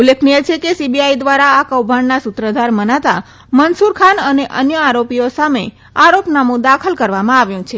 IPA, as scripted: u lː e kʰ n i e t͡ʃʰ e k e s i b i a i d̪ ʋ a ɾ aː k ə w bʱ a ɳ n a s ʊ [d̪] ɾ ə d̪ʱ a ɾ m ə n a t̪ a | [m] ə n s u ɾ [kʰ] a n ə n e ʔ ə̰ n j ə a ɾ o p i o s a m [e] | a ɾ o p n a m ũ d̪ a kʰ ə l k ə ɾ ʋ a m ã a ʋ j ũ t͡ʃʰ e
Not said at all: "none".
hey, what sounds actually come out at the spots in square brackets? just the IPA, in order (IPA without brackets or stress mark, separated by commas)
t̪, m, kʰ, e